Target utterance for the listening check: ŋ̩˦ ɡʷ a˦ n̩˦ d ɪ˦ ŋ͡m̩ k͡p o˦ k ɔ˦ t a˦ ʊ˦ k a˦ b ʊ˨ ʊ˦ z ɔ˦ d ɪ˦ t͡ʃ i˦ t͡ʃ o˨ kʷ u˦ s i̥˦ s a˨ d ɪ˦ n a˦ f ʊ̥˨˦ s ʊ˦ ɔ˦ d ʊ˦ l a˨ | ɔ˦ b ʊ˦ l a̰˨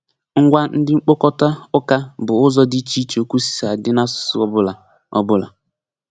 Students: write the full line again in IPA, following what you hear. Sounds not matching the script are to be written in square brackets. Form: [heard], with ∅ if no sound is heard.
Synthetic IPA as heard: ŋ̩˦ ɡʷ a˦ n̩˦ d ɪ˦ ŋ͡m̩ k͡p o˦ k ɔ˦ t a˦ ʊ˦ k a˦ b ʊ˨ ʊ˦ z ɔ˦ d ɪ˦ t͡ʃ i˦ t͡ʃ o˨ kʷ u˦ s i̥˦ s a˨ d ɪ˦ n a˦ [s] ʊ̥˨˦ s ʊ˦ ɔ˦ [b] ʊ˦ l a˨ | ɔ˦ b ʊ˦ l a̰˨